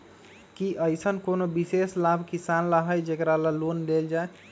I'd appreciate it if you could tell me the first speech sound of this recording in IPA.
k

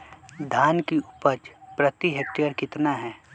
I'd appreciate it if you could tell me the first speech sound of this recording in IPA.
d̪ʱ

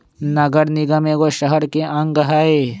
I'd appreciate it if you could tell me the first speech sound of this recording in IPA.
n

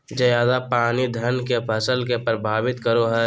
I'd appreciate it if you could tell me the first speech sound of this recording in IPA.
d͡ʒ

